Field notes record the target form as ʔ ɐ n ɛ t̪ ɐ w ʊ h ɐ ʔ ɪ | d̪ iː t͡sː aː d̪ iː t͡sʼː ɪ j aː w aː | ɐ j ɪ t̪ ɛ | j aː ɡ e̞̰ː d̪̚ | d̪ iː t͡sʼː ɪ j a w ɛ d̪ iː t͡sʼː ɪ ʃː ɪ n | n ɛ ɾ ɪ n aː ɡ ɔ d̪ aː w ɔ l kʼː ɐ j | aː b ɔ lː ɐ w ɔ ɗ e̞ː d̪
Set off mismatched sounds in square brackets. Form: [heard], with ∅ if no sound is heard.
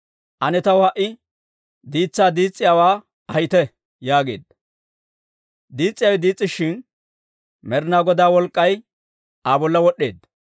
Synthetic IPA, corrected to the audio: ʔ ɐ n ɛ t̪ ɐ w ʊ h ɐ ʔ ɪ | d̪ iː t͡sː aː d̪ iː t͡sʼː ɪ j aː w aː | ɐ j ɪ t̪ ɛ | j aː ɡ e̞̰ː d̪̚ | d̪ iː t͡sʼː ɪ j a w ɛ d̪ iː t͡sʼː ɪ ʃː ɪ n | [m] ɛ ɾ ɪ n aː ɡ ɔ d̪ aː w ɔ l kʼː ɐ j | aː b ɔ lː ɐ w ɔ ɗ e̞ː d̪